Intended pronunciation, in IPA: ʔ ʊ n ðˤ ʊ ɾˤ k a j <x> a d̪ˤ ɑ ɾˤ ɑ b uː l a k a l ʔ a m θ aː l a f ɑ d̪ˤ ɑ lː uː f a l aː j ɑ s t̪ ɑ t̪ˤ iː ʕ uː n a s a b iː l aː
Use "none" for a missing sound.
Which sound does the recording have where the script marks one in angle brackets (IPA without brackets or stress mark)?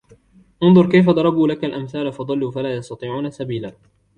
f